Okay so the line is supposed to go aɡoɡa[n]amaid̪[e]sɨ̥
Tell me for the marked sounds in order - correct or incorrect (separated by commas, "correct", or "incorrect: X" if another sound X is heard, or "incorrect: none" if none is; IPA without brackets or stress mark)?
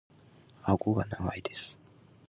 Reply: correct, correct